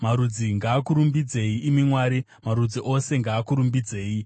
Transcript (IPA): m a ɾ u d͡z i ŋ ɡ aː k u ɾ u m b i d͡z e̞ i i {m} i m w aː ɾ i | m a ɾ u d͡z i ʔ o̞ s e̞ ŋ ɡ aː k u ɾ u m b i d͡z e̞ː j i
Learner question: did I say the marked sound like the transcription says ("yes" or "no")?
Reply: yes